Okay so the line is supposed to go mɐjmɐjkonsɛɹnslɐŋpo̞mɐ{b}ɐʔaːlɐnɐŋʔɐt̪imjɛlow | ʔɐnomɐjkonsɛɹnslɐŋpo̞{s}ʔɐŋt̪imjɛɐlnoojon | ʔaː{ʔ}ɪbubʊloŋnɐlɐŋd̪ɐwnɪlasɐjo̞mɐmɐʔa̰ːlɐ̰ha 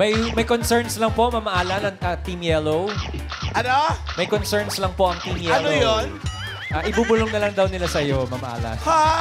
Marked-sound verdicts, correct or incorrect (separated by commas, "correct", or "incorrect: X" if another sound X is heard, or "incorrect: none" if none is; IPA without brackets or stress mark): incorrect: m, incorrect: none, correct